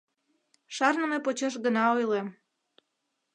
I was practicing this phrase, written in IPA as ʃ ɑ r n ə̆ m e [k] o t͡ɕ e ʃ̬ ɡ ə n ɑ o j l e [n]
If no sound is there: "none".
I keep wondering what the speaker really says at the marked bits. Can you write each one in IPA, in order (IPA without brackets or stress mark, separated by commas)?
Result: p, m